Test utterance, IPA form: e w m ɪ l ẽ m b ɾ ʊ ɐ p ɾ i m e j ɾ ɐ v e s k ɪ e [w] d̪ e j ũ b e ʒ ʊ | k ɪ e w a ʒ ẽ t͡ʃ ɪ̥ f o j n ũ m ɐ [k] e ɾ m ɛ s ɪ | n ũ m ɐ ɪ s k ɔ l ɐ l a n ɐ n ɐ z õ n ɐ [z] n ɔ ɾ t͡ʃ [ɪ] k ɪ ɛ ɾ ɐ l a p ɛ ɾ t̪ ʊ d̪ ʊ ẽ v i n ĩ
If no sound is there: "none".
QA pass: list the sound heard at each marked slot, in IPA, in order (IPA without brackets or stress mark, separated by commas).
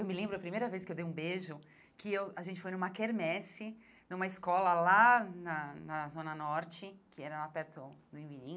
w, k, none, ɪ